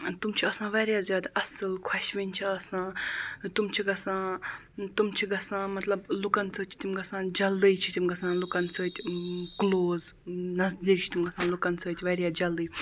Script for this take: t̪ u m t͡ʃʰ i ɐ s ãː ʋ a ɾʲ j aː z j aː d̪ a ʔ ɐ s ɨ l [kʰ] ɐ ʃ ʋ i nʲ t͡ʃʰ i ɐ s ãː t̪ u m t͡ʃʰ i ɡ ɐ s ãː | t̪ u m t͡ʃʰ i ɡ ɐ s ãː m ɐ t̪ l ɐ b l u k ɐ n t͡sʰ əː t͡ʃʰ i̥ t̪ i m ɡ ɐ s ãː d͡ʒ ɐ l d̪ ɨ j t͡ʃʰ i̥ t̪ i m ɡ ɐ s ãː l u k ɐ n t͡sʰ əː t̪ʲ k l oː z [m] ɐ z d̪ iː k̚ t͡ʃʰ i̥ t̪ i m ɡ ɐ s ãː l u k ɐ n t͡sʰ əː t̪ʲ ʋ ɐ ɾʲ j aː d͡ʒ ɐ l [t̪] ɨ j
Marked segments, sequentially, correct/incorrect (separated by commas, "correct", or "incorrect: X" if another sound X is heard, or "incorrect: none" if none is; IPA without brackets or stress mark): correct, incorrect: n, incorrect: d̪